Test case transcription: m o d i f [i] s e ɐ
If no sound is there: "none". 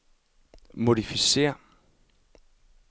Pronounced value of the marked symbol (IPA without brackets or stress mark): i